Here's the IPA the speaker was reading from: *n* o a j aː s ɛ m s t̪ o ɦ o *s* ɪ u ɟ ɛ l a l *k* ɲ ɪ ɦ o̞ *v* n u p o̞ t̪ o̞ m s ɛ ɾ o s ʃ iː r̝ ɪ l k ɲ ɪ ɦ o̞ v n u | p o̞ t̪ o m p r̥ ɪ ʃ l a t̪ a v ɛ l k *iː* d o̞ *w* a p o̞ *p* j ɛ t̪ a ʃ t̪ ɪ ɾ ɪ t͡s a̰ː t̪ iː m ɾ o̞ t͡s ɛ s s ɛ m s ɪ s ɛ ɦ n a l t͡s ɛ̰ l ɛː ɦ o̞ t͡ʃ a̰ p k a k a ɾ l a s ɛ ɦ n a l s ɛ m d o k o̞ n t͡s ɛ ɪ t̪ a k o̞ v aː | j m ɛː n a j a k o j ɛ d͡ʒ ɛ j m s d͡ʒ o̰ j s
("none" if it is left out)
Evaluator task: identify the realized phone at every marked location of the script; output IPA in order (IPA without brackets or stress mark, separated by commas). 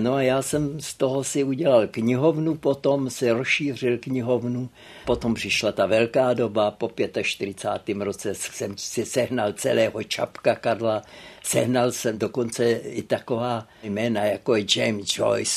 n, s, k, v, aː, b, p